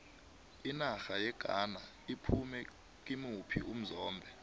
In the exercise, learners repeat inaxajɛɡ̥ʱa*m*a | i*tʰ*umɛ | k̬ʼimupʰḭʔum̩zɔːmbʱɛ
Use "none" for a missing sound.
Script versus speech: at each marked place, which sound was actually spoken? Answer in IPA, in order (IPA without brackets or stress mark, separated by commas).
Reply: n, pʰ